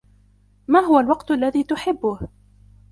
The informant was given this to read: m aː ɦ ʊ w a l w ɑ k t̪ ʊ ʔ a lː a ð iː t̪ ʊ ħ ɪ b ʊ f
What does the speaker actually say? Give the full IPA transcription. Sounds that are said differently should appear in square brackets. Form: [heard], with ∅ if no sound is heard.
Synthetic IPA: m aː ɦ ʊ w a l w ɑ [q] t̪ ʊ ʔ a lː a ð iː t̪ ʊ ħ ɪ [bː] ʊ [h]